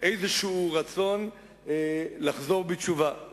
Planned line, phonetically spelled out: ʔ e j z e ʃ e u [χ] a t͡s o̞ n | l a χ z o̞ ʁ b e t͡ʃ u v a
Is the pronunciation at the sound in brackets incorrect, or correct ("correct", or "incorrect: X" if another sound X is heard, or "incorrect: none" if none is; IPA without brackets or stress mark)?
incorrect: ʁ